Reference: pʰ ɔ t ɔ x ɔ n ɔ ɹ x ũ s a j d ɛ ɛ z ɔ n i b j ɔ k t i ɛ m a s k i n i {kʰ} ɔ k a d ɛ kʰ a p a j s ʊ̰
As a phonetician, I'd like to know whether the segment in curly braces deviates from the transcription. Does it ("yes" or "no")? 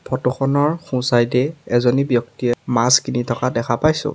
yes